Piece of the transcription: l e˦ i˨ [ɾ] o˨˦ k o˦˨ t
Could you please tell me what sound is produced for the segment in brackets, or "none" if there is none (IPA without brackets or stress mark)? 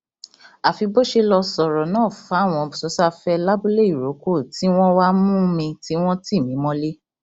ɾ